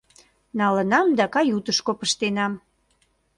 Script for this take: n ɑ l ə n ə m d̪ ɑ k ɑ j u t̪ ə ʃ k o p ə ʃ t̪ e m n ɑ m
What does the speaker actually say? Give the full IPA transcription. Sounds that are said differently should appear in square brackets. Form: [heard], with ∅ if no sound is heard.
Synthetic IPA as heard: n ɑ l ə n [ɑ] m d̪ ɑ k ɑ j u t̪ ə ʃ k o p ə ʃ t̪ e [∅] n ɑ m

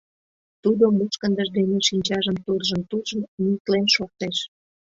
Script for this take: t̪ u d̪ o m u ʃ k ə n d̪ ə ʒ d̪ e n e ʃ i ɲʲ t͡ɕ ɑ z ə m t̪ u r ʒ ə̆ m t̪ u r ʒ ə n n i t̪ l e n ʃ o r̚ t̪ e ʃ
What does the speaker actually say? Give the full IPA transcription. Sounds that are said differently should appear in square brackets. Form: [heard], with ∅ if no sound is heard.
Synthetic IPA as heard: t̪ u d̪ o m u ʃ k ə n d̪ ə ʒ d̪ e n e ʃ i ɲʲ t͡ɕ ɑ [ʒ] ə m t̪ u r ʒ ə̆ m t̪ u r ʒ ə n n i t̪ l e n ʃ o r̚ t̪ e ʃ

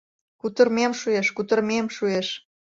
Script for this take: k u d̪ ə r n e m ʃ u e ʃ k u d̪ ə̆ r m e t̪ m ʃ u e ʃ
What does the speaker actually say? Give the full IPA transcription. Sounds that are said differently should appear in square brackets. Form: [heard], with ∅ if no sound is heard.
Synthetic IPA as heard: k u [t̪] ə r [m] e m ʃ u e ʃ k u [t̪] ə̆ r m e [∅] m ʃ u e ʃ

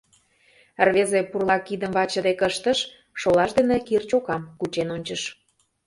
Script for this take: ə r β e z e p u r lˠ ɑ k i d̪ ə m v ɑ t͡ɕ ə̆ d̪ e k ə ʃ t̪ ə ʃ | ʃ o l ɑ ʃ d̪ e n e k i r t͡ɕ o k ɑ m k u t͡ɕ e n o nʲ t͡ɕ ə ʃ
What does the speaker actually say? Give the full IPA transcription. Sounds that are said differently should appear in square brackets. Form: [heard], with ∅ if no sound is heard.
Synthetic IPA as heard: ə r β e z e p u r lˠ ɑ k i d̪ ə m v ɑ t͡ɕ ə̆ d̪ e k ə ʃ t̪ ə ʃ | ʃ o l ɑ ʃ d̪ e n e k i r t͡ɕ o k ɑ m k u t͡ɕ e n o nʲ t͡ɕ ə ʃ

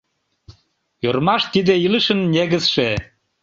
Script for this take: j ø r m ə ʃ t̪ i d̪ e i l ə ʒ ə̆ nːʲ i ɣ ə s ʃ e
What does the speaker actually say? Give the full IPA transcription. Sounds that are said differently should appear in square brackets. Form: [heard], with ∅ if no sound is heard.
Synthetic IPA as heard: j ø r m [ɑ] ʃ t̪ i d̪ e i l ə [ʃ] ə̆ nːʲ [e] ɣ ə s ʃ e

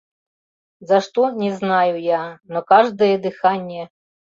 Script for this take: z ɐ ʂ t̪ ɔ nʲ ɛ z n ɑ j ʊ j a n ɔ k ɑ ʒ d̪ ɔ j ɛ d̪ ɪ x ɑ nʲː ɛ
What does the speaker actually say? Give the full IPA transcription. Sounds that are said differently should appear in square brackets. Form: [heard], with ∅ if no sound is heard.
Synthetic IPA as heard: z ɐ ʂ t̪ ɔ nʲ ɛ z n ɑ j ʊ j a n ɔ k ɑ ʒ d̪ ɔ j ɛ d̪ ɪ x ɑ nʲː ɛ

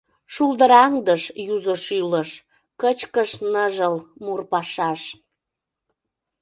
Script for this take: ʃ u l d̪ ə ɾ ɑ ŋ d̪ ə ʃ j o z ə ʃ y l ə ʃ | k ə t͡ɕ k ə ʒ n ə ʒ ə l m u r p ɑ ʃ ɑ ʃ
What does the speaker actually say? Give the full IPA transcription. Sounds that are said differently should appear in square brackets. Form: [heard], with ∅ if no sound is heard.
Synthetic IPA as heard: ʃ u l d̪ ə ɾ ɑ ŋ d̪ ə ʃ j [u] z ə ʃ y l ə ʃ | k ə t͡ɕ k ə [ʃ] n ə ʒ ə l m u r p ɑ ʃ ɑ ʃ

